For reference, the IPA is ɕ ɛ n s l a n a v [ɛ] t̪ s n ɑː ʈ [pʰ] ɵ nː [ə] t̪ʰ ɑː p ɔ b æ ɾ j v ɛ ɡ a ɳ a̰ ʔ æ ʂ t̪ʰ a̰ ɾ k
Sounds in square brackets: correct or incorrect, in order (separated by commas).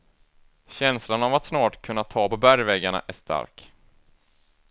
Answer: incorrect, incorrect, incorrect